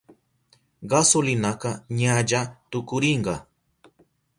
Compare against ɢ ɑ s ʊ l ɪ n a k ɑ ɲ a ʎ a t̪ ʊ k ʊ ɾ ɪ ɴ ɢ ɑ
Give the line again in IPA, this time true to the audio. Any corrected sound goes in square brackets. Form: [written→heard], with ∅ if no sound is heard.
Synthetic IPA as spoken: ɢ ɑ s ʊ l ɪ n a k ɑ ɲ a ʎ a t̪ ʊ k ʊ ɾ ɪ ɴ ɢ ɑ